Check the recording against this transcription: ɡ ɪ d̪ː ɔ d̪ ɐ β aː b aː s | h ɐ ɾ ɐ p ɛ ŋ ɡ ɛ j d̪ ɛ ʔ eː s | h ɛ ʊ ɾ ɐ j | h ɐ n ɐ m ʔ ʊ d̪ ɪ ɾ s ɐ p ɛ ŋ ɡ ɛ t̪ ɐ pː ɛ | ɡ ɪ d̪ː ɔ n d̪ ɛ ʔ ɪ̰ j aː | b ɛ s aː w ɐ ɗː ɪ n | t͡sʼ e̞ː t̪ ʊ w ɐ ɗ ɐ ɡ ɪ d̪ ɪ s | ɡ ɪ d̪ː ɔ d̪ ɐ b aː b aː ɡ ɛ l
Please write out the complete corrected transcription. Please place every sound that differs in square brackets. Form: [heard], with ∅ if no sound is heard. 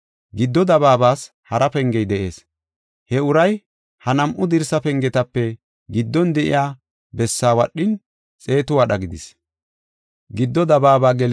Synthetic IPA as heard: ɡ ɪ d̪ː ɔ d̪ ɐ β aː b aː s | h ɐ ɾ ɐ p ɛ ŋ ɡ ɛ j d̪ ɛ ʔ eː s | h ɛ ʊ ɾ ɐ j | h ɐ n ɐ m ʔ ʊ d̪ ɪ ɾ s ɐ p ɛ ŋ ɡ ɛ t̪ ɐ pː ɛ | ɡ ɪ d̪ː ɔ n d̪ ɛ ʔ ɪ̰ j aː | b ɛ [sː] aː w ɐ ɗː ɪ n | t͡sʼ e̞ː t̪ ʊ w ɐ ɗ ɐ ɡ ɪ d̪ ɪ s | ɡ ɪ d̪ː ɔ d̪ ɐ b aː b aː ɡ ɛ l